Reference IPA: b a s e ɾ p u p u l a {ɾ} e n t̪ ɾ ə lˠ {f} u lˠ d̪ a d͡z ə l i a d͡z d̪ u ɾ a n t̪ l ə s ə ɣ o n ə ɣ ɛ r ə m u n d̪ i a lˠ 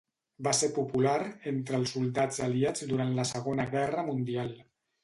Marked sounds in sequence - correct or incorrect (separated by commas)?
correct, incorrect